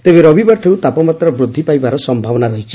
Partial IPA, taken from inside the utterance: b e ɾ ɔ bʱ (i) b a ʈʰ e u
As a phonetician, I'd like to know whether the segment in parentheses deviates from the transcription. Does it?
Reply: no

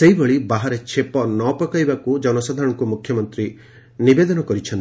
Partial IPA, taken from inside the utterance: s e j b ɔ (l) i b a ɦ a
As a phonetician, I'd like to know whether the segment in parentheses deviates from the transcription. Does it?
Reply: yes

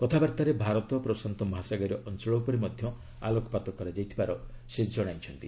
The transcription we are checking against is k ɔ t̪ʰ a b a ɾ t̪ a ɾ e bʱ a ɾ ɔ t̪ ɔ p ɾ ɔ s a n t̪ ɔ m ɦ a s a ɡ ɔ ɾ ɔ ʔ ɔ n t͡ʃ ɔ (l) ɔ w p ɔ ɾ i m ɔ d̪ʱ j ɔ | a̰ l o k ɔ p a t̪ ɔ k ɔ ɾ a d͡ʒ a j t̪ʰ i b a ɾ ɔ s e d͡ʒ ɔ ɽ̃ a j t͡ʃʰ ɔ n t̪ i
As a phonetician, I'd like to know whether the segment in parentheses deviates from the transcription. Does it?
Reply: yes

